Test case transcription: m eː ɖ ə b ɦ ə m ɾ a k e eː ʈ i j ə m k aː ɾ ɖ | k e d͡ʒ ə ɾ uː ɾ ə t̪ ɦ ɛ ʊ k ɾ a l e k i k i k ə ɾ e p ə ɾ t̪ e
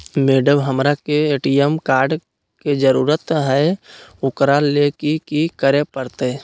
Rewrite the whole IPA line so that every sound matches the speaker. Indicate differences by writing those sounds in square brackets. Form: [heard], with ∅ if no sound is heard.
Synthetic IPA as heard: m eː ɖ ə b ɦ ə m ɾ a k e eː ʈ i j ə m k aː ɾ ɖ | k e d͡ʒ ə ɾ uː ɾ ə t̪ ɦ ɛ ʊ k ɾ a l e k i k i k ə ɾ e p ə ɾ t̪ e